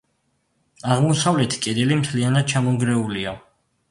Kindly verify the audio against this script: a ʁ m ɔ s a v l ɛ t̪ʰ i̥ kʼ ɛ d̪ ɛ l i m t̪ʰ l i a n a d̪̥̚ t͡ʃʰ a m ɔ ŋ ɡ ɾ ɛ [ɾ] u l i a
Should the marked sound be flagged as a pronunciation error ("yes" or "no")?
yes